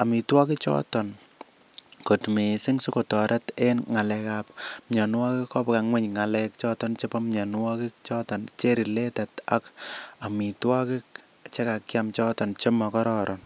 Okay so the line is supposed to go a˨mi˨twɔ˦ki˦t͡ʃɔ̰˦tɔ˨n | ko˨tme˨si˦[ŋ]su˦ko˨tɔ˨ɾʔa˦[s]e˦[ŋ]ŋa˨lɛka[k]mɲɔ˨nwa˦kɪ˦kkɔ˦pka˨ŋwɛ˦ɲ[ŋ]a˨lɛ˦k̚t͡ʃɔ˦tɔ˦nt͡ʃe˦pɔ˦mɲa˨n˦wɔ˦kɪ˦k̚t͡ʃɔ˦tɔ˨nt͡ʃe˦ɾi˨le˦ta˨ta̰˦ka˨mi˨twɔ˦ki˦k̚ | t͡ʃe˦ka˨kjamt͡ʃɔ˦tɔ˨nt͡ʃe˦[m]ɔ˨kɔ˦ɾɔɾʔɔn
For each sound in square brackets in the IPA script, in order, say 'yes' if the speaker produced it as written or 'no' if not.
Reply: yes, no, no, no, yes, yes

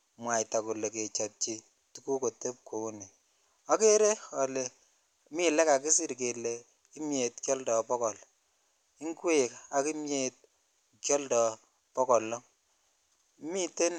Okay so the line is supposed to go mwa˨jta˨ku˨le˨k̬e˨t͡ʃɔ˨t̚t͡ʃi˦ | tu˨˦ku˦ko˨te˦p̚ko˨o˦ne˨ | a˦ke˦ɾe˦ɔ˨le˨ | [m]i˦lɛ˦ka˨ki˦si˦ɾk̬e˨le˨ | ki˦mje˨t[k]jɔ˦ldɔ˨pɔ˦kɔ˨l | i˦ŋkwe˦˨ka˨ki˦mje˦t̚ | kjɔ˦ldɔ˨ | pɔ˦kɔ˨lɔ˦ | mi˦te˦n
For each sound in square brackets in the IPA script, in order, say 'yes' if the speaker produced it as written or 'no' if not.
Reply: yes, yes

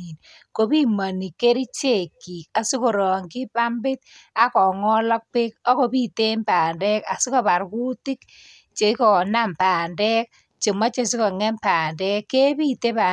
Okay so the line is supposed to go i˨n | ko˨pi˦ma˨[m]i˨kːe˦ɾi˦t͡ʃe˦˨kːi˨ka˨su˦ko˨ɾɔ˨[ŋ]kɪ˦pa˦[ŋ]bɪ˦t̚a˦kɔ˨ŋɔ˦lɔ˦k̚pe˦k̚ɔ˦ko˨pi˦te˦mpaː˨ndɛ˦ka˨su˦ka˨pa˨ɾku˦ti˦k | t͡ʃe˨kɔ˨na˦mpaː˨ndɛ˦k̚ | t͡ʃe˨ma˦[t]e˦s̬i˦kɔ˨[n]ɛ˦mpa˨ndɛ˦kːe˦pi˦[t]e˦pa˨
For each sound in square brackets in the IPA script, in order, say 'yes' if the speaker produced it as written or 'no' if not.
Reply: no, yes, no, no, no, yes

